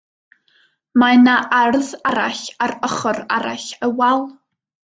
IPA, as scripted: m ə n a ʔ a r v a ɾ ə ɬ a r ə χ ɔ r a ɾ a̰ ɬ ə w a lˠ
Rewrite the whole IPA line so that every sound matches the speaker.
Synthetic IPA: m a n a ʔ a r ð a ɾ a ɬ a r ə χ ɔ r a ɾ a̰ ɬ ə w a lˠ